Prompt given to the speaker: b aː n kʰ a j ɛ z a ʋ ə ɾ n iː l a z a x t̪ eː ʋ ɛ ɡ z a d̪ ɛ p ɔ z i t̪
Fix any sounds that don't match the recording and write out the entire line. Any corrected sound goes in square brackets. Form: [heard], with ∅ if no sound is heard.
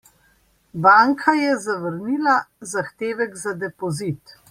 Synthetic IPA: b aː [ŋ] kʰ a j ɛ z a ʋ ə ɾ n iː l a z a x t̪ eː ʋ ɛ ɡ z a d̪ ɛ p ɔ z i t̪